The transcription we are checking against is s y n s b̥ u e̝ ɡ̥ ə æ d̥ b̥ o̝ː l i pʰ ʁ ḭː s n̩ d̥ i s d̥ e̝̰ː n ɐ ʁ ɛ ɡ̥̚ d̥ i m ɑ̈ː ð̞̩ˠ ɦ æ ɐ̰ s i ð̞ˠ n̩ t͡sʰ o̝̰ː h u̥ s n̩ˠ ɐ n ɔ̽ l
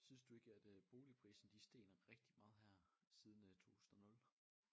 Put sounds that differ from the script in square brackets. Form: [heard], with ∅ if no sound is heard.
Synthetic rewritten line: s y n s [d̥] u e̝ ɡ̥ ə æ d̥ b̥ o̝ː l i pʰ ʁ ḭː s n̩ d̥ i s d̥ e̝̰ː n ɐ ʁ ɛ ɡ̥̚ d̥ i m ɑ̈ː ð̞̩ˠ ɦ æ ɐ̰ s i ð̞ˠ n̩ t͡sʰ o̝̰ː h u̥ s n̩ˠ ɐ n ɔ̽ l